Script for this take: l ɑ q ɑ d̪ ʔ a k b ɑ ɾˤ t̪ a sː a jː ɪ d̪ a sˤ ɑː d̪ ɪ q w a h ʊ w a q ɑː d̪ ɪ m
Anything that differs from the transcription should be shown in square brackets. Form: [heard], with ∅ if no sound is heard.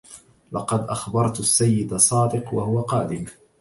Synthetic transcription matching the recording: l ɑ q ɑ d̪ ʔ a [x] b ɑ ɾˤ t̪ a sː a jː ɪ d̪ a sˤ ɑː d̪ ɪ q w a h ʊ w a q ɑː d̪ ɪ m